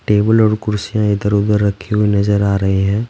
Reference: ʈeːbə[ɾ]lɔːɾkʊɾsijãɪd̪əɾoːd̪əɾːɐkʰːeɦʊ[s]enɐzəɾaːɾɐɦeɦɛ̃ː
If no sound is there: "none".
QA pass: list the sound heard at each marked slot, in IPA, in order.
none, none

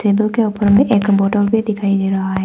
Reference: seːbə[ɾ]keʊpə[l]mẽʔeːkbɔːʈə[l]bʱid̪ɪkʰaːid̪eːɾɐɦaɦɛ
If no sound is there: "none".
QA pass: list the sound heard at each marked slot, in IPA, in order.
l, ɾ, l

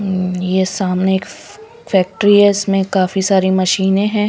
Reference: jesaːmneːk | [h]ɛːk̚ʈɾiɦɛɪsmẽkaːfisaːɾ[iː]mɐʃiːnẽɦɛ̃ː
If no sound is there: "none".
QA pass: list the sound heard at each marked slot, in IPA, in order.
f, i

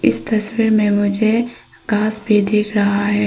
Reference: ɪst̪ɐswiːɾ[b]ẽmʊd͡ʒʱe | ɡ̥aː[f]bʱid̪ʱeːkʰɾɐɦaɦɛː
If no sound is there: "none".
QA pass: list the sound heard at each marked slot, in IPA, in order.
m, s

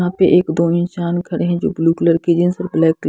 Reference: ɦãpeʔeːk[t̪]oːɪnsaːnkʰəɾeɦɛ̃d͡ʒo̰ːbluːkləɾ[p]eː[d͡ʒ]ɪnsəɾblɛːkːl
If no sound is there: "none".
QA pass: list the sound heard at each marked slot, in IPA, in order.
d̪, k, d͡ʒ

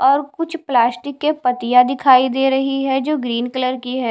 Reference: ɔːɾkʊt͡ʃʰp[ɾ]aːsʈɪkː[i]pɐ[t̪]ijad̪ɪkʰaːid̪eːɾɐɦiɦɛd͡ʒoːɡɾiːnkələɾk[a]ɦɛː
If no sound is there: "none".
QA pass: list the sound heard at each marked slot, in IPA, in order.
l, e, t̪, i

